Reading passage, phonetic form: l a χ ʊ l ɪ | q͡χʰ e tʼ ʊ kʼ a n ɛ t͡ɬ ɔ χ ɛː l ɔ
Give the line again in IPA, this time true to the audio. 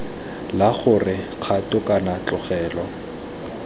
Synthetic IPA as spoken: l a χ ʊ r ɪ | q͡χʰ a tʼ ʊ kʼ a n a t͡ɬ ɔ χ ɛː l ɔ